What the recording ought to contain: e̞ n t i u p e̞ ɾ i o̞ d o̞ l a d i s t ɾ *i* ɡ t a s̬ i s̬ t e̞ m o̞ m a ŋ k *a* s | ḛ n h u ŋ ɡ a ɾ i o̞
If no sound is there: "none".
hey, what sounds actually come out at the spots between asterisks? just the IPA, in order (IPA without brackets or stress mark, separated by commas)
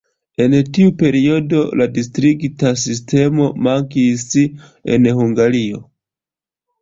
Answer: i, i